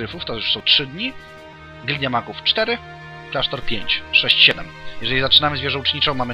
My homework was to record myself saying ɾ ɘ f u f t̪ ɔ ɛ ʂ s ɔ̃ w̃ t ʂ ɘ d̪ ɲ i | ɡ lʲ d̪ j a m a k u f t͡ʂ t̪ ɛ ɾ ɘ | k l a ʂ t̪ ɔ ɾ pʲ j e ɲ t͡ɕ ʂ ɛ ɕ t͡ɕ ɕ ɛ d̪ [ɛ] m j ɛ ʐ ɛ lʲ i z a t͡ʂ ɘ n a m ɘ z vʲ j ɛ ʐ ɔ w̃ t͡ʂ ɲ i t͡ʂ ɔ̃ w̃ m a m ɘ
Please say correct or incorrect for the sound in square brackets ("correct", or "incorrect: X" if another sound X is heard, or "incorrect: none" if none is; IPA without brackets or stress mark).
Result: correct